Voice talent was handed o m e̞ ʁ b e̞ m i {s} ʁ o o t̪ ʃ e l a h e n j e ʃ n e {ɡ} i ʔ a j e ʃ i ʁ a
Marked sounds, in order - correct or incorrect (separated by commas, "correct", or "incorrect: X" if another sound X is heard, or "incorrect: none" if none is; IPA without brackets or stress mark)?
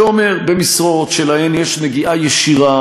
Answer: correct, correct